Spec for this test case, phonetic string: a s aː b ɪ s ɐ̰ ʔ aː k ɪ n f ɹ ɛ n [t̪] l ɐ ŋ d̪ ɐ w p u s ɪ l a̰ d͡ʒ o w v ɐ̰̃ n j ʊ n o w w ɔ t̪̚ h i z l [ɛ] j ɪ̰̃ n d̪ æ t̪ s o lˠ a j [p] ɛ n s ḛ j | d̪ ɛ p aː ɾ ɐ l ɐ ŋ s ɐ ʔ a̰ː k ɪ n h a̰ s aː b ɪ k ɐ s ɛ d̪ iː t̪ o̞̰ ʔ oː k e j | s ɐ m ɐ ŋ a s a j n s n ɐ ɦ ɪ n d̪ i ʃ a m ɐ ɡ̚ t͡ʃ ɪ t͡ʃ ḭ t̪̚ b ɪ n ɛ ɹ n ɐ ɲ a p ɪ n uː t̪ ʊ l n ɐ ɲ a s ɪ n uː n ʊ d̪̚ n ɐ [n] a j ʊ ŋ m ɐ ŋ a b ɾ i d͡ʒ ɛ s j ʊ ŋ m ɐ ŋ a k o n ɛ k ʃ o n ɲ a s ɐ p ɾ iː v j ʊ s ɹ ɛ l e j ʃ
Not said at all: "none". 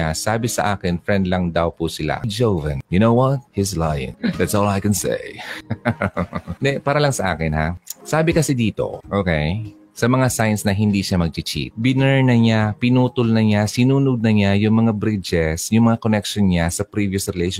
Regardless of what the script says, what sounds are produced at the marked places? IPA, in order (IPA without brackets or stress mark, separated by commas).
d̪, a, k, ɲ